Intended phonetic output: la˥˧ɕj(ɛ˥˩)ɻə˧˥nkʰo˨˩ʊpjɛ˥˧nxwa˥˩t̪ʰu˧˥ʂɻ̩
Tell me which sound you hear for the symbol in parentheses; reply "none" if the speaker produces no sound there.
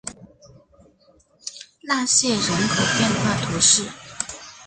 ɛ˥˩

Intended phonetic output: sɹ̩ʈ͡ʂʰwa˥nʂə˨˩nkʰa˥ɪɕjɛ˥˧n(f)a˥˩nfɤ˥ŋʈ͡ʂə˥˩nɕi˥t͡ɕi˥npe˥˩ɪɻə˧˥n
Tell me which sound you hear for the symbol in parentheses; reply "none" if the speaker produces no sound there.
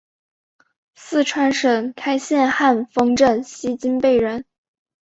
x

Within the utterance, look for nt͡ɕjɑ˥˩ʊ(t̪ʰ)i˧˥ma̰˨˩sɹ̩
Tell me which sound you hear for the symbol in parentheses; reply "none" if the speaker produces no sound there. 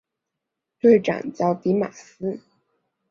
t̪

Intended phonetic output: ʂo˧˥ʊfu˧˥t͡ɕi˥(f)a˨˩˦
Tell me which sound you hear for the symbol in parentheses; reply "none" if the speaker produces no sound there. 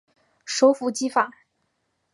f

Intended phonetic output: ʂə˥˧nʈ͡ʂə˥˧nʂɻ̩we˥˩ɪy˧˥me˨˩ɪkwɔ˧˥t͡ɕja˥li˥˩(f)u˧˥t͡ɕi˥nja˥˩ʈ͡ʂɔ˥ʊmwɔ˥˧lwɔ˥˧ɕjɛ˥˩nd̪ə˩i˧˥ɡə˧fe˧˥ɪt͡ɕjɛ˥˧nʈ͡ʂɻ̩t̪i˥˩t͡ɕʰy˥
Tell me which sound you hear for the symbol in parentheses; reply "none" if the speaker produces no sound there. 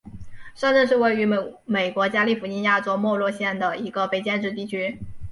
f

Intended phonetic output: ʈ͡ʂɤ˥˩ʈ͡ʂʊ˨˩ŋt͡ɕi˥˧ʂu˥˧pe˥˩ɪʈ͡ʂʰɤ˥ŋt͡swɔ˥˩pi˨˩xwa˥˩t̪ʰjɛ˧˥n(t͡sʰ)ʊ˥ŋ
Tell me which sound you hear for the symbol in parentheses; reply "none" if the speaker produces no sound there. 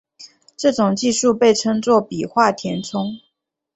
t͡sʰ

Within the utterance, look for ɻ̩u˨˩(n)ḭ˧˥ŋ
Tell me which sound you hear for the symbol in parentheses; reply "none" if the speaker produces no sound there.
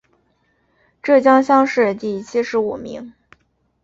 m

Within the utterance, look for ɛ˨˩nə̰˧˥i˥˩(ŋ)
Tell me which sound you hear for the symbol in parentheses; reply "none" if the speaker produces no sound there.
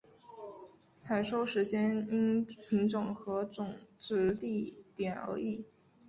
none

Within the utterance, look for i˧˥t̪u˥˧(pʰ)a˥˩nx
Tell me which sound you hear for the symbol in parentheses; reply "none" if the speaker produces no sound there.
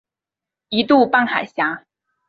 p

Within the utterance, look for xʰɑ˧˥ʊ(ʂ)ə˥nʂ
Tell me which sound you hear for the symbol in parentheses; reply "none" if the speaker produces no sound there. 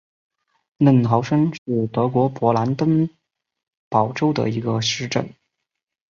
ʂ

